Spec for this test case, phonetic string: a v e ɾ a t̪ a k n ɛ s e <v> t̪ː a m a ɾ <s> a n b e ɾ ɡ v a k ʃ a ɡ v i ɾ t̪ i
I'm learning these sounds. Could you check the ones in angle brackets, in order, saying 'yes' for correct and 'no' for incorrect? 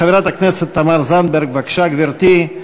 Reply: no, no

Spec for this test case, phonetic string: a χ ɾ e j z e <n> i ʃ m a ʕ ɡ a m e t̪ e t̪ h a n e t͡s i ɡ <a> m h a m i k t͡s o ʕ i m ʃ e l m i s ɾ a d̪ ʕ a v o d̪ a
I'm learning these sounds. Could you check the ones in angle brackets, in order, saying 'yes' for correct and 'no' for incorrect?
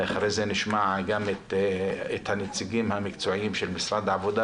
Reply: yes, no

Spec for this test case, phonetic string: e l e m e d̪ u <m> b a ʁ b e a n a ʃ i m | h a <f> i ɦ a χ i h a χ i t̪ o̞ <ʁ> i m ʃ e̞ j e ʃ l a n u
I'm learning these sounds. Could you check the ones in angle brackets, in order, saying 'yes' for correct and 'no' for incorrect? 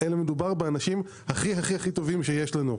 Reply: no, no, no

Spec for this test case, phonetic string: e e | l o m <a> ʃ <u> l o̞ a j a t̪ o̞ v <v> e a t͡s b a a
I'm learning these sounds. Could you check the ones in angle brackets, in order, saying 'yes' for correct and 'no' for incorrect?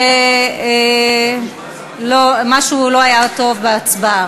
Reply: yes, yes, no

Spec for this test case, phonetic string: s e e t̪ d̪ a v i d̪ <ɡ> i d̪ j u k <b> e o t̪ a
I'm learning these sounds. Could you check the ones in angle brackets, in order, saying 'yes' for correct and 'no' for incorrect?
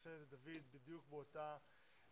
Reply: no, yes

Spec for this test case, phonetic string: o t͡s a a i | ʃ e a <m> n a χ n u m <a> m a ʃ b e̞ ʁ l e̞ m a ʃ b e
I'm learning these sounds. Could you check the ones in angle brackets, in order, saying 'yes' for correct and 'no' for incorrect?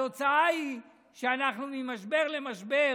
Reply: no, no

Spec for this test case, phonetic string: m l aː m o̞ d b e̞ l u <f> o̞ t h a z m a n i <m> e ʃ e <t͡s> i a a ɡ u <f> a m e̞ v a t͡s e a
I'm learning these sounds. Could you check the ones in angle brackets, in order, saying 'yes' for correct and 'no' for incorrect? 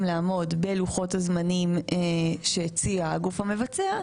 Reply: no, yes, yes, yes

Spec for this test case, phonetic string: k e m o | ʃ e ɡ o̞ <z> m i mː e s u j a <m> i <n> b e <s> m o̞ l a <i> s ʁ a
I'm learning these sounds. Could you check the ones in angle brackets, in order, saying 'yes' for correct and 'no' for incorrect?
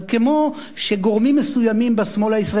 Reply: no, yes, no, yes, yes

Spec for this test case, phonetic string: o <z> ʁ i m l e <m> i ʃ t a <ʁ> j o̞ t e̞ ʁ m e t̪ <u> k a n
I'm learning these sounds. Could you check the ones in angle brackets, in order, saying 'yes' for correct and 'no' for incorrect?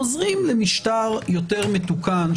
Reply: yes, yes, yes, yes

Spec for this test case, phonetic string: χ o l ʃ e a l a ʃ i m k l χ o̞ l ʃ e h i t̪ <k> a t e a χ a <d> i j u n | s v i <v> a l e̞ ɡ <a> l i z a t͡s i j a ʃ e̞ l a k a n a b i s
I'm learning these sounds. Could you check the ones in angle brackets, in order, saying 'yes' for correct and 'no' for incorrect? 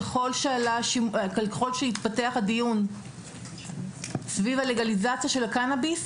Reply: no, yes, yes, yes

